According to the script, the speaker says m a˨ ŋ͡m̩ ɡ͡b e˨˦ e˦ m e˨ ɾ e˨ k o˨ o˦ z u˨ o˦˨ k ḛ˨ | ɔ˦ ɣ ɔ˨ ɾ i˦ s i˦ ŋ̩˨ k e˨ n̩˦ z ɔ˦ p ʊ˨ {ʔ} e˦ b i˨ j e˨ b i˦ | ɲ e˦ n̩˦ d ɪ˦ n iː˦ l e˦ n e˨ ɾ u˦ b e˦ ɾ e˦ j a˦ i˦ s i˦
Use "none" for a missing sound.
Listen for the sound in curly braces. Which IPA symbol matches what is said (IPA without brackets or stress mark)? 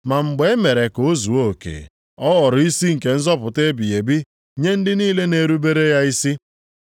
t